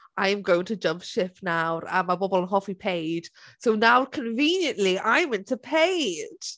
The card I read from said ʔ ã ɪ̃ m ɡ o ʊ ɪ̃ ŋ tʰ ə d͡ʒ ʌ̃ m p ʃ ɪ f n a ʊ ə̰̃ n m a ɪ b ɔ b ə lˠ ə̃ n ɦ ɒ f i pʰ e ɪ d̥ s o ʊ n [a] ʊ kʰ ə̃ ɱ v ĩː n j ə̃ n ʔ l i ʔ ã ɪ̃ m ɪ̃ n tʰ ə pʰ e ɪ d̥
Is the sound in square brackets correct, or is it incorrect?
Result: correct